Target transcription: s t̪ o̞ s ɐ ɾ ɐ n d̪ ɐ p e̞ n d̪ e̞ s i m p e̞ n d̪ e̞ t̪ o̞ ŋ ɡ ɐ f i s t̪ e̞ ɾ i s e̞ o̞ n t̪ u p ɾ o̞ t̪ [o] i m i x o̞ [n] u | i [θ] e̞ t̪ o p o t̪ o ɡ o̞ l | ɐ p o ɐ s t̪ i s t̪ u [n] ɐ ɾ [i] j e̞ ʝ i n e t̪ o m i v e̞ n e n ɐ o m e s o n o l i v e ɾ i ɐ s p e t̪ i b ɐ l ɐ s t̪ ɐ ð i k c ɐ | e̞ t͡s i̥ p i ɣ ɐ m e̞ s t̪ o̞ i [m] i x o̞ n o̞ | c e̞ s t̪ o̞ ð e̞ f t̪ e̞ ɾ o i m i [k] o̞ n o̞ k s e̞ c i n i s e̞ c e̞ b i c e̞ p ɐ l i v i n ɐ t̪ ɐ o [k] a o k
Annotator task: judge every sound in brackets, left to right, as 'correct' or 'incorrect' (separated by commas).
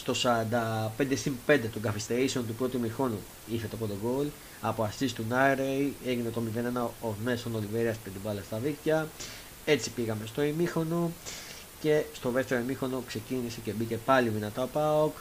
incorrect, correct, correct, correct, incorrect, correct, incorrect, incorrect